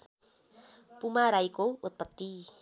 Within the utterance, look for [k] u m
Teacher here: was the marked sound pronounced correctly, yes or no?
no